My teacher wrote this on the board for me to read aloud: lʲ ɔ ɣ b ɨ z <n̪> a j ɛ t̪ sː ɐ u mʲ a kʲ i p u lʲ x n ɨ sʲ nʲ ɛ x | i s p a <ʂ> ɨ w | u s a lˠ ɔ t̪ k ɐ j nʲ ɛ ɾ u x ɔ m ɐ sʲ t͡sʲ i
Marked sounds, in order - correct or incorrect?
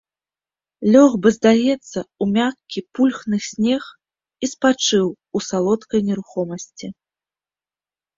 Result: incorrect: d̪, incorrect: t͡ʂ

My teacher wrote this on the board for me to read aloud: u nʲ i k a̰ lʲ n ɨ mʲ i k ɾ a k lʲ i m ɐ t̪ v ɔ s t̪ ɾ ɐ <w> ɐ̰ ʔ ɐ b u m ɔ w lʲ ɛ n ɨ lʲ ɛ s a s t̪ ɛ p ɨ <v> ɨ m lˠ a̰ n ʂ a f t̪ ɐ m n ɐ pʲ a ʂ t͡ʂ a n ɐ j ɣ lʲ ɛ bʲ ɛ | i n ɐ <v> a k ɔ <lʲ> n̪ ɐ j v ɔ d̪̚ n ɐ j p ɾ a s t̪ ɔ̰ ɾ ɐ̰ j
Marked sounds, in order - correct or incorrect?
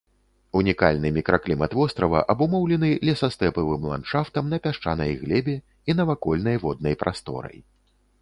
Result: incorrect: v, correct, correct, correct

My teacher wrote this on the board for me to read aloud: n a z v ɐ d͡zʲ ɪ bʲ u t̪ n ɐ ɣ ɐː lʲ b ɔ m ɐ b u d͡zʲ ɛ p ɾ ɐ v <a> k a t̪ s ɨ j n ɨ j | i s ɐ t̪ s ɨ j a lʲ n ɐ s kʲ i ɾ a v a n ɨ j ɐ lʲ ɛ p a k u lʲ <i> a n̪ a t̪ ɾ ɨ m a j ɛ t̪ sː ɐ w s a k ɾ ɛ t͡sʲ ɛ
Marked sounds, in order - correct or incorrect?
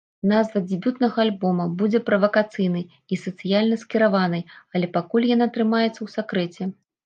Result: incorrect: ɐ, incorrect: j

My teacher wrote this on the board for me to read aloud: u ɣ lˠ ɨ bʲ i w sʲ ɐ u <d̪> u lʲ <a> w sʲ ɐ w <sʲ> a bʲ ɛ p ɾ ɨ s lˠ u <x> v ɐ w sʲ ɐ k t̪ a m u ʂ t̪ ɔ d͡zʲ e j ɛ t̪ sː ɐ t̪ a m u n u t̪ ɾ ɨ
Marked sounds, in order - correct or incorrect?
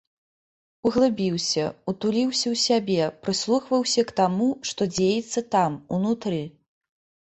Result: incorrect: t̪, incorrect: i, correct, correct

